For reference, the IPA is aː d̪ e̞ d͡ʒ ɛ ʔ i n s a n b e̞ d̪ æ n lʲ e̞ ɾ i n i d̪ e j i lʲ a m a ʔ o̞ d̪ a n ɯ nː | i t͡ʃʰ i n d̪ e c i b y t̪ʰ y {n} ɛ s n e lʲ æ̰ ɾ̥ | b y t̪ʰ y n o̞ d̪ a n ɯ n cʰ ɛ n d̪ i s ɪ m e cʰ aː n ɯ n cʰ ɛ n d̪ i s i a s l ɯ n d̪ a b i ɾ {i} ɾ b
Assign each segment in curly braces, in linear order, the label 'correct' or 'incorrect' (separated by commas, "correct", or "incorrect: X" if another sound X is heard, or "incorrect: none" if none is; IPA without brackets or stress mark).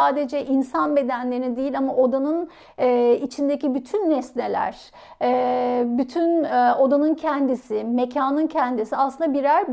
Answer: incorrect: nː, incorrect: æ